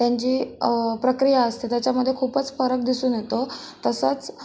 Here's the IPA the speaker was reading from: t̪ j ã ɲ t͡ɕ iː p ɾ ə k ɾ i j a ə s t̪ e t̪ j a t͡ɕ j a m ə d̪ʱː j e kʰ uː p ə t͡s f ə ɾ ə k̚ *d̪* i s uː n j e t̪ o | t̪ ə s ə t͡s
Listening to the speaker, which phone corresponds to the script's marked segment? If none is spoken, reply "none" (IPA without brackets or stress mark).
d̪